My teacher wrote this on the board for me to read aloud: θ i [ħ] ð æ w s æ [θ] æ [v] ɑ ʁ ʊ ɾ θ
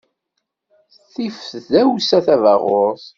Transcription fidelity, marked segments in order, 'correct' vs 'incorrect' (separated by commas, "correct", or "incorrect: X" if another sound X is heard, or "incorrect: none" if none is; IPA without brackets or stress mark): incorrect: f, correct, correct